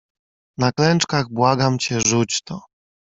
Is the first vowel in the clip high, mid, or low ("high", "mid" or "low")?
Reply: low